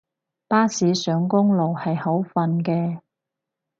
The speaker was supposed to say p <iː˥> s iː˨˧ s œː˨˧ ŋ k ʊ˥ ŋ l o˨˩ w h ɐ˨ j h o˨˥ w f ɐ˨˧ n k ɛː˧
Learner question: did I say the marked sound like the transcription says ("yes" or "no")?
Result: no